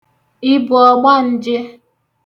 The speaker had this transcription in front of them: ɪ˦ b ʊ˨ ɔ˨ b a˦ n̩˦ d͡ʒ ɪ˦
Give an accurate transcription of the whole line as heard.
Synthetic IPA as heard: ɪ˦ b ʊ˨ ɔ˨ ɡ͡b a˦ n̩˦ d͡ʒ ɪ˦